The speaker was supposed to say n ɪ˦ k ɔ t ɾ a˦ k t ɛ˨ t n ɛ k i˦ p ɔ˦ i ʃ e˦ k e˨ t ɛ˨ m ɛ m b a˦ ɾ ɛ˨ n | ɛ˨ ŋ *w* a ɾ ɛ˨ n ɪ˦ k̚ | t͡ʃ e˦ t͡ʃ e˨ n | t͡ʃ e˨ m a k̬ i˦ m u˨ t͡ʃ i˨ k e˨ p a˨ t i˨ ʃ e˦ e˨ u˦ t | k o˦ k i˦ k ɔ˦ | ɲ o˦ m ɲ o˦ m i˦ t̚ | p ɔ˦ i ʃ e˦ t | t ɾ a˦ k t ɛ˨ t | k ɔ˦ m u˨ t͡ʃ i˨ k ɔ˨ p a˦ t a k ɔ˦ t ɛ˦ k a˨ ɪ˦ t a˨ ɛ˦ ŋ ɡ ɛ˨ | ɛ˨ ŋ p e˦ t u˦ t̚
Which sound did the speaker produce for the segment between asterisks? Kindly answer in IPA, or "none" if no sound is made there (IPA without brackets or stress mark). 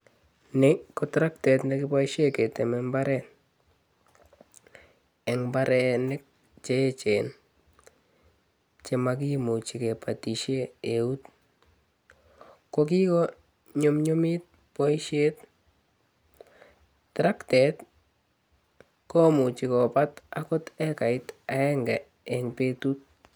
b